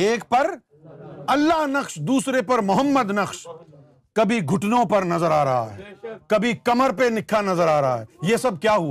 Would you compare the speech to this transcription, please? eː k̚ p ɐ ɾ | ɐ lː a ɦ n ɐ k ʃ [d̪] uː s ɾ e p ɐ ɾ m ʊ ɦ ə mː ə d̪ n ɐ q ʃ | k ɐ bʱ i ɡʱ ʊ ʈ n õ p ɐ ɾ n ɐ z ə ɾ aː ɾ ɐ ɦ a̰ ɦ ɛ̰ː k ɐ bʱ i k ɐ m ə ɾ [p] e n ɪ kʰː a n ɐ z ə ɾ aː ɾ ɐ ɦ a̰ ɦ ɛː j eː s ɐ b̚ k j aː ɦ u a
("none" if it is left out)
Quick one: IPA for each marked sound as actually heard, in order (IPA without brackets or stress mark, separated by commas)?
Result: d̪, p